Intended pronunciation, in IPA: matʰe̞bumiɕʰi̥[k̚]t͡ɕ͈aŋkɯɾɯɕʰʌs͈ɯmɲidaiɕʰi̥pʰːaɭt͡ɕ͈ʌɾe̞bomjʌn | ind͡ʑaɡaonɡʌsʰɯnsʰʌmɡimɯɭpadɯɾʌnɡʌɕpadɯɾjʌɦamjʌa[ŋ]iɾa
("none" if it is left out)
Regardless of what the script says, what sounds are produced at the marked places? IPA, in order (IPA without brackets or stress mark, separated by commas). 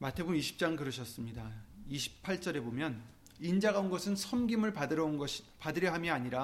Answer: p̚, ɲ